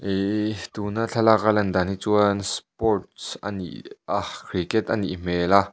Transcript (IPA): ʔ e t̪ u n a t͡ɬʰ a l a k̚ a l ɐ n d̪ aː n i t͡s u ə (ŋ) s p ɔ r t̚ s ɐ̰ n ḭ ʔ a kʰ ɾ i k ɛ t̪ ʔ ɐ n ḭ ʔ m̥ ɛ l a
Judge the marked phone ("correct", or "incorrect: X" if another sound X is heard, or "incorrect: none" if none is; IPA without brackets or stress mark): incorrect: n